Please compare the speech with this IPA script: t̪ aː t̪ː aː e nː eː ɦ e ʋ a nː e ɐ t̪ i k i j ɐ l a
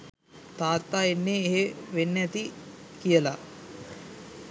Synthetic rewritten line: t̪ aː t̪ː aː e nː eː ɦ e ʋ e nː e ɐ t̪ i k i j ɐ l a

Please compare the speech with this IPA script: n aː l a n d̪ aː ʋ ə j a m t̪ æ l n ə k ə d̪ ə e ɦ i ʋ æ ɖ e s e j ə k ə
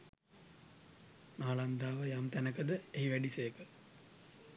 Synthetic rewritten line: n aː l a n d̪ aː ʋ ə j a m t̪ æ n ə k ə d̪ ə e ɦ i ʋ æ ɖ i s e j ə k ə

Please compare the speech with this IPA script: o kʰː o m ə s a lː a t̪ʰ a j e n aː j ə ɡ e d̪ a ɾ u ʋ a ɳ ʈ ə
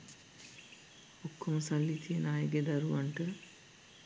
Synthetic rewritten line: o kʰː o m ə s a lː i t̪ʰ i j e n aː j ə ɡ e d̪ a ɾ u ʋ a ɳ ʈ ə

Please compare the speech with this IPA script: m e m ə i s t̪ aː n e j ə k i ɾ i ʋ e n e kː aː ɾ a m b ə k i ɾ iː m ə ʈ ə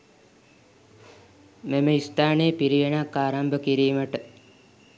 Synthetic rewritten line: m e m ə i s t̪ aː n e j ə p i ɾ i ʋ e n a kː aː ɾ a m b ə k i ɾ iː m ə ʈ ə

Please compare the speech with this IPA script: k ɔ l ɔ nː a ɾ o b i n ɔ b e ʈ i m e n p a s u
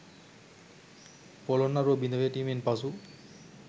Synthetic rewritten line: p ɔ l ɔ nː a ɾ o b i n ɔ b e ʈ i m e n p a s u

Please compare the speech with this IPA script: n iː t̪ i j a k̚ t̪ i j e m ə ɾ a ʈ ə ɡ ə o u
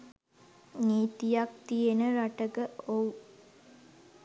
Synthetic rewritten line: n iː t̪ i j a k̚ t̪ i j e n ə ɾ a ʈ ə ɡ ə o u

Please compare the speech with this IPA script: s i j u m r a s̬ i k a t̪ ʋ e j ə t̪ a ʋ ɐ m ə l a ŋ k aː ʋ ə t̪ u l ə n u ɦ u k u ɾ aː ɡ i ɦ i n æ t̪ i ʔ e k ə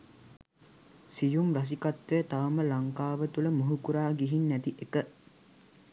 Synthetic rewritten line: s i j u m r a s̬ i k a t̪ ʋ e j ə t̪ a ʋ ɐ m ə l a ŋ k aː ʋ ə t̪ u l ə m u ɦ u k u ɾ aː ɡ i ɦ i nː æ t̪ i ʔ e k ə

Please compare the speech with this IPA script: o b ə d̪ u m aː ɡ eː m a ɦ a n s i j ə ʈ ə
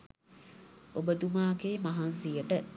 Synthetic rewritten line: o b ə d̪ u m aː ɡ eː m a ɦ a n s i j ə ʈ ə

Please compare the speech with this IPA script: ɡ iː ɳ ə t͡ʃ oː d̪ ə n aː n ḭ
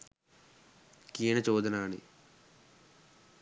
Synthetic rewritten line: k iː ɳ ɐ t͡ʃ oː d̪ ɐ n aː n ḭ

